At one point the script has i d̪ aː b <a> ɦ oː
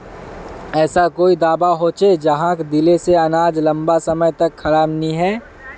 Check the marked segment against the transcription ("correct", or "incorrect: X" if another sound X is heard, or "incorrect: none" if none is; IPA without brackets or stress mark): correct